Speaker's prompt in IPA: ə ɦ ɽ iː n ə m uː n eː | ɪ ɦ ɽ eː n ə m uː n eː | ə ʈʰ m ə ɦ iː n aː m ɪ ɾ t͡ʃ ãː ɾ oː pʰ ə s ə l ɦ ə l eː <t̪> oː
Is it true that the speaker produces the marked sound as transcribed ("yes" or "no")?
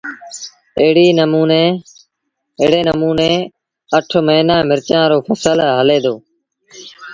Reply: no